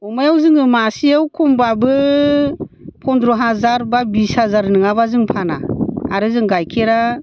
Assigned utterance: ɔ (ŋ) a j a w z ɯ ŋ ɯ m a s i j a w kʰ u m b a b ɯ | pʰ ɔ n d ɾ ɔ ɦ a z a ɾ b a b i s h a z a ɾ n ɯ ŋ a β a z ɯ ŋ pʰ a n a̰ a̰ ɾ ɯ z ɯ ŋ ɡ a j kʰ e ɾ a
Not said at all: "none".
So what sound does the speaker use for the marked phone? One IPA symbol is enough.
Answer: m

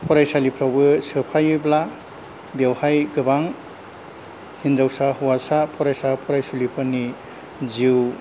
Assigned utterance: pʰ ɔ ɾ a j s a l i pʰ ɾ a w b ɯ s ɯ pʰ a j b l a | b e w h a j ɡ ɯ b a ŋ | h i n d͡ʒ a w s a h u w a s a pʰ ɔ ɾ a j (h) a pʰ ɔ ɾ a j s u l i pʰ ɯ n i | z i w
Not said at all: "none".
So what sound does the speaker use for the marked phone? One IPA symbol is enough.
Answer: s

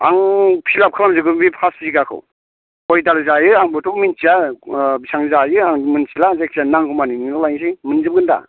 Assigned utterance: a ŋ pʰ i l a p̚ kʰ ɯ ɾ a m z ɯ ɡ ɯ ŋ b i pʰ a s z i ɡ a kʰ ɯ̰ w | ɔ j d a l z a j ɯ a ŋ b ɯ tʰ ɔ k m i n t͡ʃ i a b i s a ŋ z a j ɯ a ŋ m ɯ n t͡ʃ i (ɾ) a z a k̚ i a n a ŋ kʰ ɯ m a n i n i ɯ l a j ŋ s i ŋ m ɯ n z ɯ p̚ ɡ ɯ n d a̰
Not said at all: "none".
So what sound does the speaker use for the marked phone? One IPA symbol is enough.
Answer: l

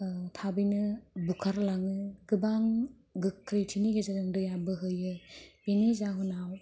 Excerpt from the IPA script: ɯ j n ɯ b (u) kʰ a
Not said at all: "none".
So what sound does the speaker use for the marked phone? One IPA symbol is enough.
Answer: u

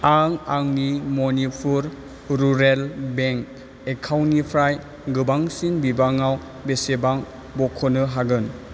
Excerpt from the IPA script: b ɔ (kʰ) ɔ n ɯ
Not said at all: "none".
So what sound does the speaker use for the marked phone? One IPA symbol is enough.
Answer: kʰ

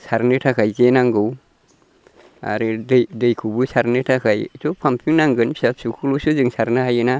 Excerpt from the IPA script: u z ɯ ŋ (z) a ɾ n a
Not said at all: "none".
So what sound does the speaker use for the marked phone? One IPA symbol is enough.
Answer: s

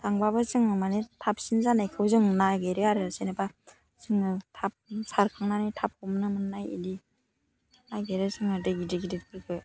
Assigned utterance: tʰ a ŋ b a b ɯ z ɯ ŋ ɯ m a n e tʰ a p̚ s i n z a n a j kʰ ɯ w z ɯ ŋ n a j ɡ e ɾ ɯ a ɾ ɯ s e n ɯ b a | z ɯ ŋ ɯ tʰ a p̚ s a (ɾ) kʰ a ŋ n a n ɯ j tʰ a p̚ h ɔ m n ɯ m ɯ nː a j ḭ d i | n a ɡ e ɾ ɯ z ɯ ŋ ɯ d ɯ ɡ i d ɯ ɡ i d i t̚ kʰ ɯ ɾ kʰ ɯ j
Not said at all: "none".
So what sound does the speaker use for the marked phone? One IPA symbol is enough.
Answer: ɾ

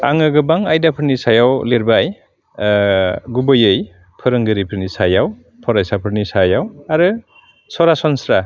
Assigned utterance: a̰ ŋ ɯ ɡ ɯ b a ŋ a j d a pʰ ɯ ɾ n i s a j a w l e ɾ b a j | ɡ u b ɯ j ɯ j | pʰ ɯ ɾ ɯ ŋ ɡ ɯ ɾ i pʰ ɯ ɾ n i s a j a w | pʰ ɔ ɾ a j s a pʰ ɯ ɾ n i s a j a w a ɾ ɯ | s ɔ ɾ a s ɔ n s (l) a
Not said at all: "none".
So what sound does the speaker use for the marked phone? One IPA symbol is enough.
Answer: ɾ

